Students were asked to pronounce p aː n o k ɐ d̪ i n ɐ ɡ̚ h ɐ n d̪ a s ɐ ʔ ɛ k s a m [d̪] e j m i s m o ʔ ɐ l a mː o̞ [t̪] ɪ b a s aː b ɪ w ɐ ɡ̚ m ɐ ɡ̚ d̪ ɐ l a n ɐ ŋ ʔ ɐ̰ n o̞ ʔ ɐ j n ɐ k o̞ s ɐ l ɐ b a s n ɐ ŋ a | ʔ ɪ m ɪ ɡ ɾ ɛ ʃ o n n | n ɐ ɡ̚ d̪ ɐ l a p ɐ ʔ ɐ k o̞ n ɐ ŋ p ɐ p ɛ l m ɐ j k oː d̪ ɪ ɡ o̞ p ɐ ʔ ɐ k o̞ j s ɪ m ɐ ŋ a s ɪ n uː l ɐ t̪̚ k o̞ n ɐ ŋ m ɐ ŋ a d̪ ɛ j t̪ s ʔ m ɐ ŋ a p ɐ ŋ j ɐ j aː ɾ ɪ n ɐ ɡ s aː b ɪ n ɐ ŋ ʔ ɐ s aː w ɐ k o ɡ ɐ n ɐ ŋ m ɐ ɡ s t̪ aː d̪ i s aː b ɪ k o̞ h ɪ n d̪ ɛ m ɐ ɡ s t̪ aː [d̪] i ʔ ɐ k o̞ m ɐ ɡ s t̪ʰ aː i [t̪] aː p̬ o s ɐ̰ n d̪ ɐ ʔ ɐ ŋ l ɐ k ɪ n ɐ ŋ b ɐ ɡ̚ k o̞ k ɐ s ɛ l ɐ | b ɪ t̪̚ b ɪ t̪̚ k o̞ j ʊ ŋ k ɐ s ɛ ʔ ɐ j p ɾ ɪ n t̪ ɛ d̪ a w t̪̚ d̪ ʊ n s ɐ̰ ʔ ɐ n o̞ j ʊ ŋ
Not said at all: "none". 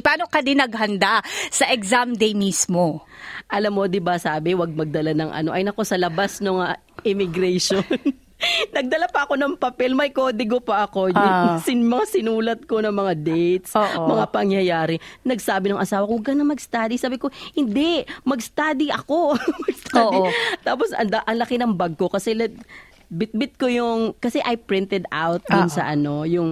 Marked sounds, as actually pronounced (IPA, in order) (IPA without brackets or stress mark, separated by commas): d̪, d̪, d̪, t̪